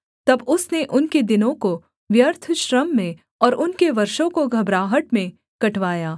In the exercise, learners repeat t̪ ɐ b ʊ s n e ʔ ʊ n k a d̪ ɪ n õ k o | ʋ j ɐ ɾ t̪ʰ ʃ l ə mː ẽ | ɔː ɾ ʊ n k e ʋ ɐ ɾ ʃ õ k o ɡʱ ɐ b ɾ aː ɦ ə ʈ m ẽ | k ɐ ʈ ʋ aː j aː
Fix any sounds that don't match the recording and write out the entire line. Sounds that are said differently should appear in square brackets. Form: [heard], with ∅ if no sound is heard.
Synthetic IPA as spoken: t̪ ɐ b ʊ s n e ʔ ʊ n k [e] d̪ ɪ n õ k o | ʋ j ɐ ɾ t̪ʰ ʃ [ɾ] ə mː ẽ | ɔː ɾ ʊ n k e ʋ ɐ ɾ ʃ õ k o ɡʱ ɐ b ɾ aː ɦ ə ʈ m ẽ | k ɐ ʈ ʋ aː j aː